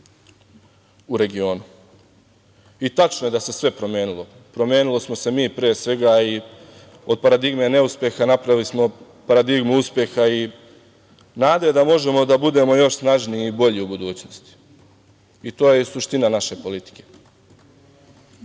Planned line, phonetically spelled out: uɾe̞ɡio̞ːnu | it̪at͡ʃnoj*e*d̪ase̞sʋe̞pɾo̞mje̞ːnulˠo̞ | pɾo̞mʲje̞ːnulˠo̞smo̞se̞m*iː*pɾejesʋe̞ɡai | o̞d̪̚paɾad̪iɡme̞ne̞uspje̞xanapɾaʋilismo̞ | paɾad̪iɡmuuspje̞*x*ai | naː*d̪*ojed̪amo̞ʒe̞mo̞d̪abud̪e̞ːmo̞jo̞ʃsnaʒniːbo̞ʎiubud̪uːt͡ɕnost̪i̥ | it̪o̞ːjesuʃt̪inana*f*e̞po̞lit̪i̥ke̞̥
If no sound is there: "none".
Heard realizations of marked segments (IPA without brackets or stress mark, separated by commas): e, iː, x, d̪, ʃ